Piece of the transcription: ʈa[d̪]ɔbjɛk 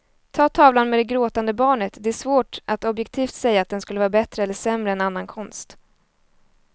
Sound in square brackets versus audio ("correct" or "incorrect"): incorrect